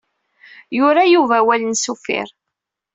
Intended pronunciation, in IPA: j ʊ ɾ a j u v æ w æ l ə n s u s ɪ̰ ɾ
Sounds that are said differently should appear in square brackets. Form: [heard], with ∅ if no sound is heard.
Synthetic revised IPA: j ʊ ɾ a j u v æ w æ l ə n s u [f] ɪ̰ ɾ